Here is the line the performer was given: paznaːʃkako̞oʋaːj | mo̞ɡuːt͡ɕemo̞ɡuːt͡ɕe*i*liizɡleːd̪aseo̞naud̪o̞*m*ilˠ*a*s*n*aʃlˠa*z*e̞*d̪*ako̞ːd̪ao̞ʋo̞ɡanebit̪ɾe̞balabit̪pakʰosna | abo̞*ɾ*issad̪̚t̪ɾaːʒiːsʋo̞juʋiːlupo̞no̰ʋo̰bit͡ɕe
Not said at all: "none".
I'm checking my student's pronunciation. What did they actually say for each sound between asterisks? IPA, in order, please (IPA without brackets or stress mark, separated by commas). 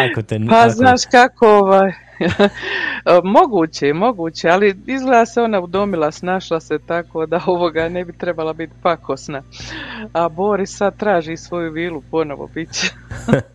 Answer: a, m, a, n, s, t̪, ɾ